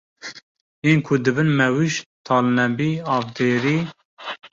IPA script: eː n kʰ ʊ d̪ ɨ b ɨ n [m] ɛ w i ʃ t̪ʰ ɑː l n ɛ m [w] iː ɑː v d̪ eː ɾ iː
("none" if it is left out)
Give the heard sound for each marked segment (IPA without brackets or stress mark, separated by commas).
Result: m, b